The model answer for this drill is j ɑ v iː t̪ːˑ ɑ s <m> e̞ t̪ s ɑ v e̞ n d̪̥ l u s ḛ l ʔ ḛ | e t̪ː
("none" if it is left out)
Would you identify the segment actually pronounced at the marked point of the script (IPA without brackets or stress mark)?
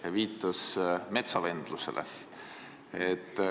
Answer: m